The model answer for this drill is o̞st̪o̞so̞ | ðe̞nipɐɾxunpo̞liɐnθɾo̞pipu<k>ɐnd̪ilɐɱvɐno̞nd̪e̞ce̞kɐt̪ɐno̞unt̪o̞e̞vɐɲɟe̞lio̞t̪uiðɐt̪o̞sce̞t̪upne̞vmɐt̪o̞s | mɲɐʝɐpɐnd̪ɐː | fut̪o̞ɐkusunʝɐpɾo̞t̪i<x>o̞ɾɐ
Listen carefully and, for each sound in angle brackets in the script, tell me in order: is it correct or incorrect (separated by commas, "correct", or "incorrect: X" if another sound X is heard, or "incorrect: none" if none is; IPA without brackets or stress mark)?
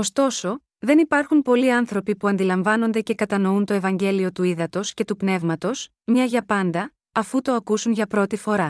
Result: incorrect: none, incorrect: f